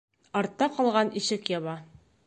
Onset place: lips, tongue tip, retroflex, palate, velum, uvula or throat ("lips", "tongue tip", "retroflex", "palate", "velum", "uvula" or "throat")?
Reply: tongue tip